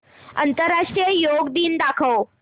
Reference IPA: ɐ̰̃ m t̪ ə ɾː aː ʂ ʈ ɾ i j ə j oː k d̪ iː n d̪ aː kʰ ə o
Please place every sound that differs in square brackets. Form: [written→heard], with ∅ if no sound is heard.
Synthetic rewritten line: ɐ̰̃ [m→n] t̪ ə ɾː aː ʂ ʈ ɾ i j ə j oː [k→ɡ] d̪ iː n d̪ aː kʰ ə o